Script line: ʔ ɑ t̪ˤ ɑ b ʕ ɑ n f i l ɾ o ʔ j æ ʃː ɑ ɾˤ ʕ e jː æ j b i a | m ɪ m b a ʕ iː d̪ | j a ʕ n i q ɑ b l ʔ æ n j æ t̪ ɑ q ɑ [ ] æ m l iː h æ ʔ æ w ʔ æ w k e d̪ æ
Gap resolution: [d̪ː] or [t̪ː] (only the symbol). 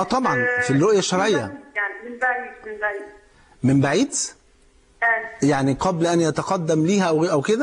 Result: d̪ː